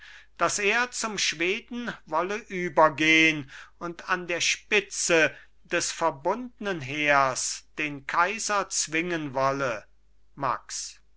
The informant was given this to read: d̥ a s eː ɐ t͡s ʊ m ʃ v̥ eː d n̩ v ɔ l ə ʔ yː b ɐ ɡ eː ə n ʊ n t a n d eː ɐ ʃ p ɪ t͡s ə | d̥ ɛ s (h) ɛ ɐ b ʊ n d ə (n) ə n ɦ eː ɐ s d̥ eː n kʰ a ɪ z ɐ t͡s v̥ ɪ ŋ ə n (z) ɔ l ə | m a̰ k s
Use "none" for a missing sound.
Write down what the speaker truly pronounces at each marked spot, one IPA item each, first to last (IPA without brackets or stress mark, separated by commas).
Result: f, n, v